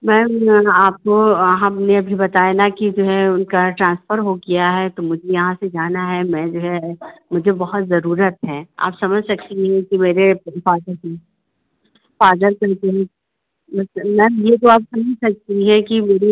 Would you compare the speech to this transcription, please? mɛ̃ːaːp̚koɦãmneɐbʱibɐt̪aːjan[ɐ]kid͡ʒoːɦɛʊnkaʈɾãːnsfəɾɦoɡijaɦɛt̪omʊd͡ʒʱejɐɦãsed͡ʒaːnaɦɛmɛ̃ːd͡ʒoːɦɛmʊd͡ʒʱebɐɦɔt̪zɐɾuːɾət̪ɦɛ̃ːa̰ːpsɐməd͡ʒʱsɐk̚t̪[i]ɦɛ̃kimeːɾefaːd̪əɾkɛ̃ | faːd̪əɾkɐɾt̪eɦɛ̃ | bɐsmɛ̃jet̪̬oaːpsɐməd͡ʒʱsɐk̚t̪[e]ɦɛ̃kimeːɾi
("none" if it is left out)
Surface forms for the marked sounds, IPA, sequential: a, i, i

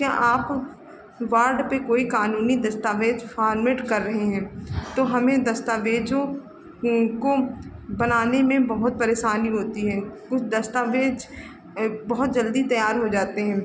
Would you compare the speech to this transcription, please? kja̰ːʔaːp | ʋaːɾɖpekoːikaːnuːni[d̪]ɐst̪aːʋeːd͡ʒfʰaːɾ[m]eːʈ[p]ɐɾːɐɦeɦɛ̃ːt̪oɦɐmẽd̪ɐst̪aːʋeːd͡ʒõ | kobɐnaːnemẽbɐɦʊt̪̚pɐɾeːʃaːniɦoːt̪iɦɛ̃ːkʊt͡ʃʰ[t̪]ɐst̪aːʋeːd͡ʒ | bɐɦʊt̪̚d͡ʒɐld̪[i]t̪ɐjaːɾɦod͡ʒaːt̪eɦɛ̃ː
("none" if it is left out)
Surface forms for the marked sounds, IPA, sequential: d̪, m, k, d̪, i

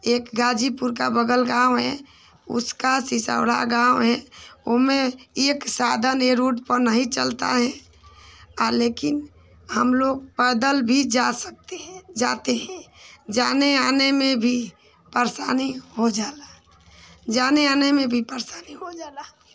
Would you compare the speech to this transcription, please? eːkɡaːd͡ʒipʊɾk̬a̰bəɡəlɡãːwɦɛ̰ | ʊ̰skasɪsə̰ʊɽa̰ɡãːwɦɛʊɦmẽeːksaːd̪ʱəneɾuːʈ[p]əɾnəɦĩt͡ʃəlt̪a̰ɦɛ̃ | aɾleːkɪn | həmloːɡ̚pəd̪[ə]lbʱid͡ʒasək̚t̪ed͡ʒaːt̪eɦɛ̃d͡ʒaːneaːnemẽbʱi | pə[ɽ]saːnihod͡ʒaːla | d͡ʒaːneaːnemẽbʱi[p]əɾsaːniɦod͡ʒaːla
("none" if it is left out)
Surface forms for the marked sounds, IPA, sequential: p, ə, ɾ, p

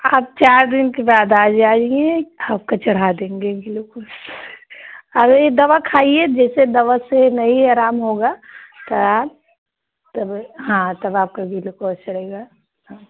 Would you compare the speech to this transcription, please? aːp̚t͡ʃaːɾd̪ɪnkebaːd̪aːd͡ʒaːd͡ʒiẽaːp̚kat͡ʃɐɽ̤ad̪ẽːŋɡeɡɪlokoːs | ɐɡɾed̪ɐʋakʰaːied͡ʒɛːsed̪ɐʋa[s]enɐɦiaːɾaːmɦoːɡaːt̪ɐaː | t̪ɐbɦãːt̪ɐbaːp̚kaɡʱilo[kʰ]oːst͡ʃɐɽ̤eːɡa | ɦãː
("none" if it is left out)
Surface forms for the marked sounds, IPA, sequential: s, k

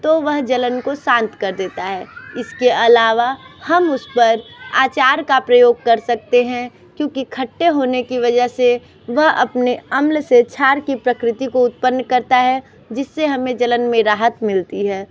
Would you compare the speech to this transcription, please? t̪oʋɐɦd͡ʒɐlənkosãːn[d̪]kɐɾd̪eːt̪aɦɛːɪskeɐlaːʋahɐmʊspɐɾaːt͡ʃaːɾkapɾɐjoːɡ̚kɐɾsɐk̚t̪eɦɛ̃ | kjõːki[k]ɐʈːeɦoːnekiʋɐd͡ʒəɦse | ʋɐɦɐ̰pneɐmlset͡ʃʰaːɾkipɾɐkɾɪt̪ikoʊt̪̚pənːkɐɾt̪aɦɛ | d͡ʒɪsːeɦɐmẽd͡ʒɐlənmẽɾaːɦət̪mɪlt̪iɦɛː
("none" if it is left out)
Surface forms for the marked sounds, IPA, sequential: t̪, kʰ

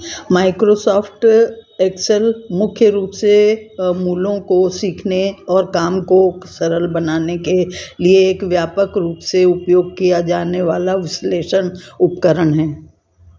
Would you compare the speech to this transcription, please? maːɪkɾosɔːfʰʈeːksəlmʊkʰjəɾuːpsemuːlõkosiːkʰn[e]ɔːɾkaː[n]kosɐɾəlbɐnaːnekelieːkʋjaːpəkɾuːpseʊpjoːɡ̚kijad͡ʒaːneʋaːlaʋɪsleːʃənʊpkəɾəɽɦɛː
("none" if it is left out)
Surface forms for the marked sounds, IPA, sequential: e, m

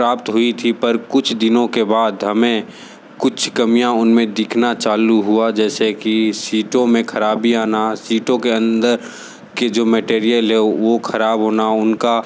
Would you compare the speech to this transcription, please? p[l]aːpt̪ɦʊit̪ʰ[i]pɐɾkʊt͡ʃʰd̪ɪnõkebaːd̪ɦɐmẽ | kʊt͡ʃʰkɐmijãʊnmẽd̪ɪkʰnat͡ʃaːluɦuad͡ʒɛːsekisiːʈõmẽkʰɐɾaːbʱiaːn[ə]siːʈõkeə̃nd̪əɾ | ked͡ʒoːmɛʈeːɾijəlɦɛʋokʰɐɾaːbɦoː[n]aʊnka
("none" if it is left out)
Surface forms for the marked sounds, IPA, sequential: ɾ, i, a, n

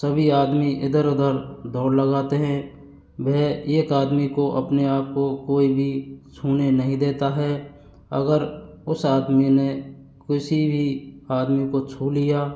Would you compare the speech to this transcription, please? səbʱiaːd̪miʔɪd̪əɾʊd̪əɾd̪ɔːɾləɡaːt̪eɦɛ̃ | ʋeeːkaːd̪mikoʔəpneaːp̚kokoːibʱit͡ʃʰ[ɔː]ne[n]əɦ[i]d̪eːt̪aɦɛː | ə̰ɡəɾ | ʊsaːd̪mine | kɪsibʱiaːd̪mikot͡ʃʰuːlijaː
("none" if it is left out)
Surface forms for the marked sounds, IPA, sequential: uː, n, ĩ

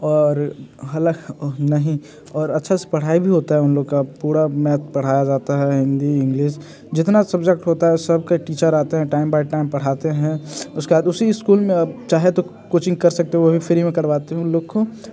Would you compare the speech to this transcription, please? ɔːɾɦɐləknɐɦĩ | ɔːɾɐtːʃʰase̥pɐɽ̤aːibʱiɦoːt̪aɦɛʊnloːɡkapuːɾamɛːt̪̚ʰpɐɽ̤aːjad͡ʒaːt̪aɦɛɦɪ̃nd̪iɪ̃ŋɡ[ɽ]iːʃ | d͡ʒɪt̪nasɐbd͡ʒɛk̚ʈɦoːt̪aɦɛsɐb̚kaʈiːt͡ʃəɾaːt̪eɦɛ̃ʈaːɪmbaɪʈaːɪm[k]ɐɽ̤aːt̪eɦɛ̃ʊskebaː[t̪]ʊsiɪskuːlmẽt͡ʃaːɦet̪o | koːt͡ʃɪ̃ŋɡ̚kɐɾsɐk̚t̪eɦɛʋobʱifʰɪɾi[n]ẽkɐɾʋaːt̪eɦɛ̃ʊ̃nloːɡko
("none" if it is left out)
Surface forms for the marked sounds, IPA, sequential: l, p, d̪, m

